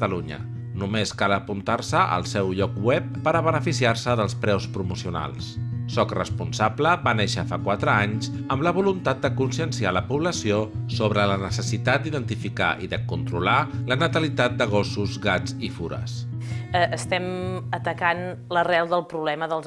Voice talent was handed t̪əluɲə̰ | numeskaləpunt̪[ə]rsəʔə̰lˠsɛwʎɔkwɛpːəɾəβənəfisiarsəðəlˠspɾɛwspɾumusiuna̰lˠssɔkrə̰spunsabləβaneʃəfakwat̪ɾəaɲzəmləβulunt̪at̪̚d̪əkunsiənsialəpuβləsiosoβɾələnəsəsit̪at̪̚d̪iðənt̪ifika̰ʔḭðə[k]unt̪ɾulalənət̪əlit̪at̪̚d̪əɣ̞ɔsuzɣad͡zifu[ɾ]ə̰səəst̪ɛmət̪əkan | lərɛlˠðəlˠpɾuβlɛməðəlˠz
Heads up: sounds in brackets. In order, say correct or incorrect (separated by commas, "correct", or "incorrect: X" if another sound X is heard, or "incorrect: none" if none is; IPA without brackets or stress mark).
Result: incorrect: a, correct, correct